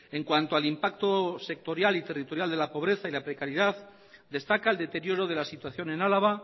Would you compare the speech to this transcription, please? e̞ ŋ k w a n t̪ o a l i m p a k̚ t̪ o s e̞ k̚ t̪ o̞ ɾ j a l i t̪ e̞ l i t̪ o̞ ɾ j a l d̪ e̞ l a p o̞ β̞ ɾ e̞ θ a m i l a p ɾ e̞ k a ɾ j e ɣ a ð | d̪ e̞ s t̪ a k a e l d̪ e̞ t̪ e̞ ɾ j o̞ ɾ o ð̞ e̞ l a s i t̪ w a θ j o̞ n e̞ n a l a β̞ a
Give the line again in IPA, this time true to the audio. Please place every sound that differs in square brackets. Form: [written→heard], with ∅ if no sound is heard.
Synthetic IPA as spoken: e̞ ŋ k w a n t̪ o a l i m p a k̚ t̪ o s e̞ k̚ t̪ o̞ ɾ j a l i t̪ e̞ [l→r] i t̪ o̞ ɾ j a l d̪ e̞ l a p o̞ β̞ ɾ e̞ θ a [m→∅] i l a p ɾ e̞ k a ɾ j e [ɣ→ð] a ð | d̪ e̞ s t̪ a k a e l d̪ e̞ t̪ e̞ ɾ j o̞ ɾ o ð̞ e̞ l a s i t̪ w a θ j o̞ n e̞ n a l a β̞ a